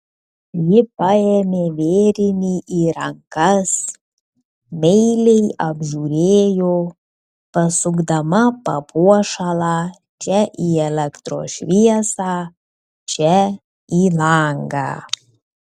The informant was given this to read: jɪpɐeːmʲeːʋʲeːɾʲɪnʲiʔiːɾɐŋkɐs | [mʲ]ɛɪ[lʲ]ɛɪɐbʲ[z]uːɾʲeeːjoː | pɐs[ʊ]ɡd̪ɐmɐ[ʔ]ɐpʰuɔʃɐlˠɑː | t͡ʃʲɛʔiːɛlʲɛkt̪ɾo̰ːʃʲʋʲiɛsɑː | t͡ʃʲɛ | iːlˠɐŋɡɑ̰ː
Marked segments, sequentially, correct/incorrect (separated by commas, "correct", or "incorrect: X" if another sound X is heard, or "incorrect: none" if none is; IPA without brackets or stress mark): correct, correct, incorrect: ʒ, correct, incorrect: p